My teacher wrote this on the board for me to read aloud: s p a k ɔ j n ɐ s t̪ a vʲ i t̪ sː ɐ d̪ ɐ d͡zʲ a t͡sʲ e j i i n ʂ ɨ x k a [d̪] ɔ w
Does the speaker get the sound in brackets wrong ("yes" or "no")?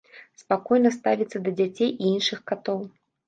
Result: yes